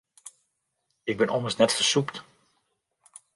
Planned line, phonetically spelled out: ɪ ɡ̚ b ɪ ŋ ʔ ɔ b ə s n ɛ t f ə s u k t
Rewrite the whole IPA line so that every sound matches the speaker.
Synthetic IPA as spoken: ɪ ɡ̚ b ɪ n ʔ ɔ m ə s n ɛ t f ə s u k t